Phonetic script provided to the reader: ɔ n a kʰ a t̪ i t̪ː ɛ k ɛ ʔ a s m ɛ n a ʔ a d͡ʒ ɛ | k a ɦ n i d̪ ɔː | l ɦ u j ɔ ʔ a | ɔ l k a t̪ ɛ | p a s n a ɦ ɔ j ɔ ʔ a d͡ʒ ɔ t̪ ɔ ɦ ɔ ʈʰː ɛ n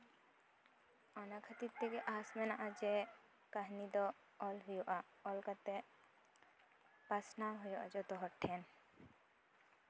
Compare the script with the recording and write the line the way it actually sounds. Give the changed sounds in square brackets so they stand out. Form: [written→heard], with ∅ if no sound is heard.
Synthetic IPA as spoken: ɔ n a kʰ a t̪ i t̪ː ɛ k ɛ ʔ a s m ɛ n a ʔ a d͡ʒ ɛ | k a ɦ n i d̪ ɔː | l ɦ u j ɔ ʔ a | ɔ l k a t̪ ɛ | p a s n a ɦ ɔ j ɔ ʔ a d͡ʒ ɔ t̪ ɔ ɦ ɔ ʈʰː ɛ n